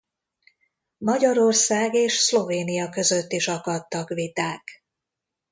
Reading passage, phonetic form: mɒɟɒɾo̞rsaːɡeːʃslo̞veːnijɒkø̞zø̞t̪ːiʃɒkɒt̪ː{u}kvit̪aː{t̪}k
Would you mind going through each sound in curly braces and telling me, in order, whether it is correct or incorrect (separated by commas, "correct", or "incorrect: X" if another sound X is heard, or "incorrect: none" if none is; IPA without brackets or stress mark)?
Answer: incorrect: ɒ, incorrect: none